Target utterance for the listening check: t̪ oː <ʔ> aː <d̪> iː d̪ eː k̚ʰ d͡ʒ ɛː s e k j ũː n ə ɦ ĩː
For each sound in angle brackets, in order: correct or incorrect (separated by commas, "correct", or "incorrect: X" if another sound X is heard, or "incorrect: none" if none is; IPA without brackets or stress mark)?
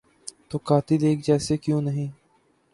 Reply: incorrect: k, incorrect: t̪